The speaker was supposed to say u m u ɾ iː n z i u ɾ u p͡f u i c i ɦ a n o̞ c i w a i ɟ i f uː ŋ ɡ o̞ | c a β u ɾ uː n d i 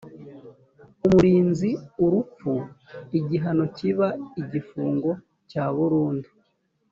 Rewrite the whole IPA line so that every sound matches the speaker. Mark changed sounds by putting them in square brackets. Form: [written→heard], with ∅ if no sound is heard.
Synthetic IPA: u m u ɾ iː n z i u ɾ u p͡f u i [c→ɟ] i ɦ a n o̞ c i [w→β] a i ɟ i f uː ŋ ɡ o̞ | c a β u ɾ uː n d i